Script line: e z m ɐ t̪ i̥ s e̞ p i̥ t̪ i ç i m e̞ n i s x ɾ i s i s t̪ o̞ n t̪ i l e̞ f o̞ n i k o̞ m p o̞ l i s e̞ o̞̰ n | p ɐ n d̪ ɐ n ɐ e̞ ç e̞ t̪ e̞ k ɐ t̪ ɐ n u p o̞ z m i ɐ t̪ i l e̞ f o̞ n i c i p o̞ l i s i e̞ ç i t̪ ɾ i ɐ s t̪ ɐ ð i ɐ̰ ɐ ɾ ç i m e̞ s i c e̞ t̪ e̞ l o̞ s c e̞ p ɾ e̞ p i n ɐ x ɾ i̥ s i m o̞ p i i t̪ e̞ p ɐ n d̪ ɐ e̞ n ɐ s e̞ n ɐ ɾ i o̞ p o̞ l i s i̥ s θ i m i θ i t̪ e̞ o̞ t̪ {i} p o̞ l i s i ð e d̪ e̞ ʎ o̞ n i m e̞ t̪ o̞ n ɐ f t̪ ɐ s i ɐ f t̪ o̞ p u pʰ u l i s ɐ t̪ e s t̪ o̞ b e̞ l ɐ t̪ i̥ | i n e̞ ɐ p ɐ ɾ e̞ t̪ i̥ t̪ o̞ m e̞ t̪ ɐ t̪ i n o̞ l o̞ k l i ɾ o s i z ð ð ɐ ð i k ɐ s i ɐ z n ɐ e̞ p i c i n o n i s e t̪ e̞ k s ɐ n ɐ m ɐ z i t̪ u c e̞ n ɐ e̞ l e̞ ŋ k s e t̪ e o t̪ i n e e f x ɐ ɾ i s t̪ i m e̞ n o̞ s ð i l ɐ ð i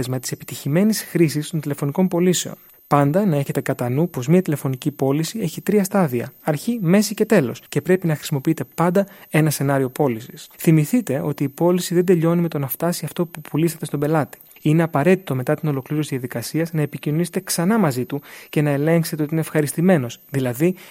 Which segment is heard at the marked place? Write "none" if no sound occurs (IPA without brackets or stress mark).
iː